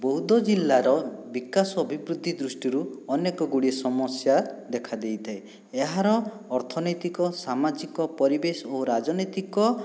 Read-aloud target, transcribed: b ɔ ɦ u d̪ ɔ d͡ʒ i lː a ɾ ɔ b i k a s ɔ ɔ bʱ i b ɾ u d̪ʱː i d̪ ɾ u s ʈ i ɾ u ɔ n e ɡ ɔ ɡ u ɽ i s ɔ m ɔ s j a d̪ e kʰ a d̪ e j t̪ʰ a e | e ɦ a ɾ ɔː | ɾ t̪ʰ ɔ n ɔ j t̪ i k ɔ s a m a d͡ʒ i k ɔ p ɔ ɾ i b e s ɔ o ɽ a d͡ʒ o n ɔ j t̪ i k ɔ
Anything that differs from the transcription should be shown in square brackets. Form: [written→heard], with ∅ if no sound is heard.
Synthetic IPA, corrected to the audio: b ɔ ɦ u d̪ ɔ d͡ʒ i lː a ɾ ɔ b i k a s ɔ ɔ bʱ i b ɾ u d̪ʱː i d̪ ɾ u s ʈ i ɾ u ɔ n e [ɡ→k] ɔ ɡ u ɽ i s ɔ m ɔ s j a d̪ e kʰ a d̪ e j t̪ʰ a e | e ɦ a ɾ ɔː | ɾ t̪ʰ ɔ n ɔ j t̪ i k ɔ s a m a d͡ʒ i k ɔ p ɔ ɾ i b e s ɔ o [ɽ→ɾ] a d͡ʒ [o→ɔ] n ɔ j t̪ i k ɔ